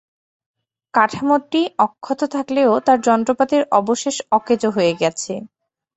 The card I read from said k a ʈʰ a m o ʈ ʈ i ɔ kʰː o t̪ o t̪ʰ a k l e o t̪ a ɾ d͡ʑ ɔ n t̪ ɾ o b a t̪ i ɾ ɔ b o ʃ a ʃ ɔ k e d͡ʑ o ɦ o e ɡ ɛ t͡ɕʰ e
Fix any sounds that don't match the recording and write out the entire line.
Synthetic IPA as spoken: k a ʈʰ a m o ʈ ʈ i ɔ kʰː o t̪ o t̪ʰ a k l e o t̪ a ɾ d͡ʑ ɔ n t̪ ɾ o p a t̪ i ɾ ɔ b o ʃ e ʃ ɔ k e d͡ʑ o ɦ o e ɡ ɛ t͡ɕʰ e